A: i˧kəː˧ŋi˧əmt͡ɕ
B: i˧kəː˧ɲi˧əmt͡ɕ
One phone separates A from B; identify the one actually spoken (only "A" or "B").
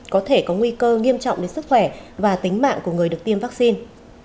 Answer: A